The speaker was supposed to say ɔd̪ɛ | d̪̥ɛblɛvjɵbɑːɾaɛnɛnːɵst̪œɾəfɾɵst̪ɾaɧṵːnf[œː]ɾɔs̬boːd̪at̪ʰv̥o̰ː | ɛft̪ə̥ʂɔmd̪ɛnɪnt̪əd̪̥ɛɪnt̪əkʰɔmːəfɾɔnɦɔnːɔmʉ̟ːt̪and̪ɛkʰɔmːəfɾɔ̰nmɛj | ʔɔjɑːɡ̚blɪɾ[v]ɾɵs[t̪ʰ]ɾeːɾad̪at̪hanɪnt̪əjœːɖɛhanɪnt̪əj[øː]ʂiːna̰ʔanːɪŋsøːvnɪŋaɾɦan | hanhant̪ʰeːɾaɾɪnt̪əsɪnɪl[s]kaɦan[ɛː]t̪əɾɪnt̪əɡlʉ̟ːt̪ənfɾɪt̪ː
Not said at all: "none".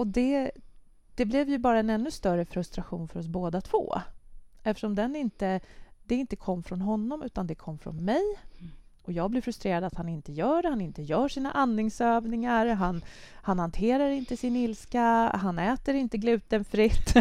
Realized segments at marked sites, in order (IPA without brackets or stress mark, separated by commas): œ, f, t̪, œː, s, ɛː